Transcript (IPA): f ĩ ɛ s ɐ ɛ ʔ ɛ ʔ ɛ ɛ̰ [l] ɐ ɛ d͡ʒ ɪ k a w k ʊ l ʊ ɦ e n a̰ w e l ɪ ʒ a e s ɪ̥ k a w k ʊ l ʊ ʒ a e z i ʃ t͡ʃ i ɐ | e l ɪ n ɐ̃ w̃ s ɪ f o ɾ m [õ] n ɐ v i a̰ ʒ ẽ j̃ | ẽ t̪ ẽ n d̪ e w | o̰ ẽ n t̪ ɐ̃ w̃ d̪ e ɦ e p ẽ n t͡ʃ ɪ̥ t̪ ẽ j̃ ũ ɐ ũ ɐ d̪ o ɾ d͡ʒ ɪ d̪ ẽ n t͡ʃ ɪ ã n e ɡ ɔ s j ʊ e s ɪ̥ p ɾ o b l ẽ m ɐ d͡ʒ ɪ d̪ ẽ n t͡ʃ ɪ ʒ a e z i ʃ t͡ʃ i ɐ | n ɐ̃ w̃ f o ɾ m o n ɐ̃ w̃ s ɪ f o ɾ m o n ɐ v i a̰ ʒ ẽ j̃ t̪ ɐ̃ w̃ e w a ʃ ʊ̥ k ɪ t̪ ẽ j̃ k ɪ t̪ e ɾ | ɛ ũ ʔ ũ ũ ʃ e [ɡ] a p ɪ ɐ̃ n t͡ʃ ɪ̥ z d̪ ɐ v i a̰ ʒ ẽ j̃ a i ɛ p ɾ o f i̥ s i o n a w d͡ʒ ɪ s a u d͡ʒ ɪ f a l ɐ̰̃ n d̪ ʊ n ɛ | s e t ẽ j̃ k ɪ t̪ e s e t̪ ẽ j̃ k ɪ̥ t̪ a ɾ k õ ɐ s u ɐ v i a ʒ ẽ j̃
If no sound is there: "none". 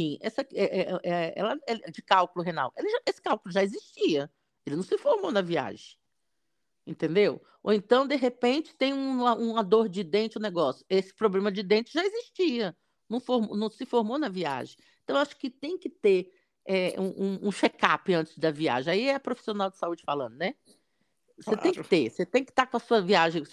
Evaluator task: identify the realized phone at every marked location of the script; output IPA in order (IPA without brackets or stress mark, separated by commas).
l, o, k